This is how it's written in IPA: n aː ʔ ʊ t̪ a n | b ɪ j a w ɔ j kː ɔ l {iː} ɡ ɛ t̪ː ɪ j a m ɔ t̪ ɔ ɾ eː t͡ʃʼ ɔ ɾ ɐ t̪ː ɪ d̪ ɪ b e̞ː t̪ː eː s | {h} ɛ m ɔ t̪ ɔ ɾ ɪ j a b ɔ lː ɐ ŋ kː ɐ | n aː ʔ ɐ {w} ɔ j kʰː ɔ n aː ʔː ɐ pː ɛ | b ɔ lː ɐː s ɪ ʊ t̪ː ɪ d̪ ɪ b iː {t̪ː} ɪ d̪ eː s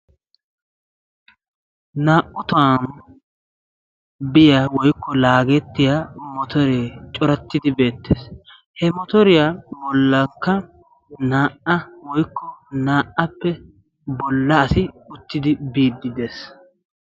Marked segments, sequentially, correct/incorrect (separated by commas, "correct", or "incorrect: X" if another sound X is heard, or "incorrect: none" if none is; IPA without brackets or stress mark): incorrect: aː, correct, correct, incorrect: d̪ː